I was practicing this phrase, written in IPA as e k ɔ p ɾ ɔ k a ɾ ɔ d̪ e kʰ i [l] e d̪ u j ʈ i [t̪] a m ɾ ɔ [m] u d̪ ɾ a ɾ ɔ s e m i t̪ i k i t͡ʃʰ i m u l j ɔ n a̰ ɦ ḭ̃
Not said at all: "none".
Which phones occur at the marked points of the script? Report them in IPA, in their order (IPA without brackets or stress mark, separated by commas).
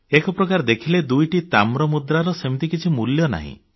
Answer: l, t̪, m